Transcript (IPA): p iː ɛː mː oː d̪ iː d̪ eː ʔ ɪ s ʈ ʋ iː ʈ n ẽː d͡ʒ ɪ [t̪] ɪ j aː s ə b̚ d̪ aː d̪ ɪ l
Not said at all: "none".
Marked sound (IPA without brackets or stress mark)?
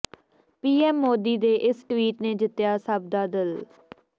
t̪